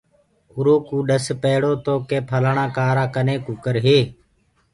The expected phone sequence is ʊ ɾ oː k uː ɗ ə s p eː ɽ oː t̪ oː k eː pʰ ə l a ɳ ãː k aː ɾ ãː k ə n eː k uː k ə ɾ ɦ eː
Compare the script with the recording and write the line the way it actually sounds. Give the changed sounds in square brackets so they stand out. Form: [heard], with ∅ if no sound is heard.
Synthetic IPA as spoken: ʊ ɾ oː k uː ɗ ə s p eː ɽ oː t̪ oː k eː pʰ ə l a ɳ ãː k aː ɾ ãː k ə n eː k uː k ə ɾ ɦ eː